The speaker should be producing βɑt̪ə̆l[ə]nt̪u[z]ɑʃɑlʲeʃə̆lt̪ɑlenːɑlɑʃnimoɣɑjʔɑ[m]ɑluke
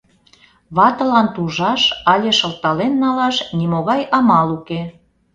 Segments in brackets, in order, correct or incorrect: incorrect, incorrect, correct

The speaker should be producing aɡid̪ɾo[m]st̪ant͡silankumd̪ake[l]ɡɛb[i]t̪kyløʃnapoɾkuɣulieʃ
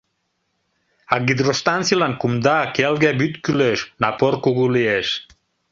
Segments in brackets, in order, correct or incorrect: incorrect, correct, incorrect

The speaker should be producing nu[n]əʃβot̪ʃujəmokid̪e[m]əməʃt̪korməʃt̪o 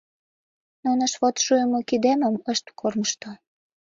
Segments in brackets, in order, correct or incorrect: correct, correct

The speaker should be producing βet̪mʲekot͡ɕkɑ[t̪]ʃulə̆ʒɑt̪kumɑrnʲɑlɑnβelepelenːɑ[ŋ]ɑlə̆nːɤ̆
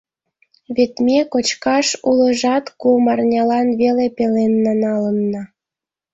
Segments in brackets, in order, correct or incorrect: incorrect, incorrect

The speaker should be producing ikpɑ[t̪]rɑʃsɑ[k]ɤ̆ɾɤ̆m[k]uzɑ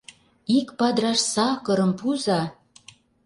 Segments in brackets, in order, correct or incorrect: incorrect, correct, incorrect

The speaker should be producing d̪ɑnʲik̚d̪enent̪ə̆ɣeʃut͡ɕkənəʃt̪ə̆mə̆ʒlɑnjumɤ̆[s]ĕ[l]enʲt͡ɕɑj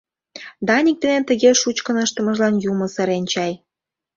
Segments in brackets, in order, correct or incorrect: correct, incorrect

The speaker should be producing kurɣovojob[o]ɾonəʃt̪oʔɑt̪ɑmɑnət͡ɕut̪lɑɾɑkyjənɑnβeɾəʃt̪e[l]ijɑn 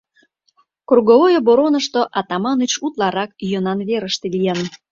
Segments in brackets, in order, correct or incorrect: correct, correct

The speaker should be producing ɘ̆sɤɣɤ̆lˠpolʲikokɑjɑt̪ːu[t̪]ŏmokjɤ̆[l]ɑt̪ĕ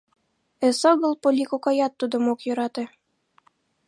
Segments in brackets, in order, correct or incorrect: incorrect, incorrect

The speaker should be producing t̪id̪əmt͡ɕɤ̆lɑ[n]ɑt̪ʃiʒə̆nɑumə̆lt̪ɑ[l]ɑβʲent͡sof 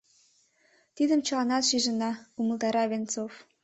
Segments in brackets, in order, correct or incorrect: correct, incorrect

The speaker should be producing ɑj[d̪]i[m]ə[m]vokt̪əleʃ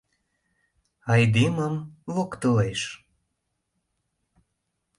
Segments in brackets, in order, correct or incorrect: correct, correct, correct

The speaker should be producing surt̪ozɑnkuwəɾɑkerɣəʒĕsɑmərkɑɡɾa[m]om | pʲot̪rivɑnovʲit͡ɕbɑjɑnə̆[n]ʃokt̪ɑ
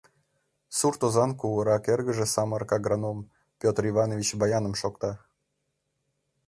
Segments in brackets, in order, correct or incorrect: incorrect, incorrect

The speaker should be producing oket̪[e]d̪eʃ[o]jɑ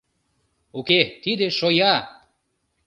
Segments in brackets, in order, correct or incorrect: incorrect, correct

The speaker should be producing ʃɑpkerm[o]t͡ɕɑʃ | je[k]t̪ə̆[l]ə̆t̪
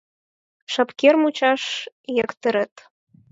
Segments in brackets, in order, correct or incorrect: incorrect, correct, incorrect

